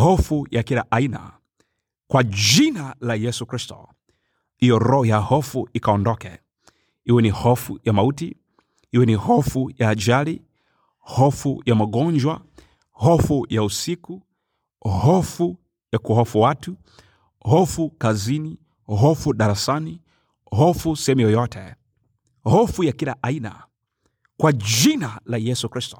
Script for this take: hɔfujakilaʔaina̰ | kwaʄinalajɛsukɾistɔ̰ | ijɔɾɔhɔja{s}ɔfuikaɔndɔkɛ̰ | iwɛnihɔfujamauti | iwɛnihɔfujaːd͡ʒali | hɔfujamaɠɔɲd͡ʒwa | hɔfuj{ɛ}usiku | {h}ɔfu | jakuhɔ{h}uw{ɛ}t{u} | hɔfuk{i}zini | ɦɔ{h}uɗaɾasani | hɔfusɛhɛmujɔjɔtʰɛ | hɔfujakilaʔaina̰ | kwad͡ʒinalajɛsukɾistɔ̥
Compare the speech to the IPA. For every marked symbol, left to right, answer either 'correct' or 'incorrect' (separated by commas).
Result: incorrect, incorrect, correct, incorrect, incorrect, correct, incorrect, incorrect